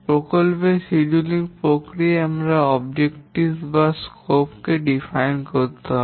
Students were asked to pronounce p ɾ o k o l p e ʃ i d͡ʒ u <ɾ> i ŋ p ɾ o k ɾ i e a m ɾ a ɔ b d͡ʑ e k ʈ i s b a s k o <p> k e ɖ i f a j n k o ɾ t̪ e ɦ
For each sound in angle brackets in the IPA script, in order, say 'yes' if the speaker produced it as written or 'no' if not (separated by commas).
no, yes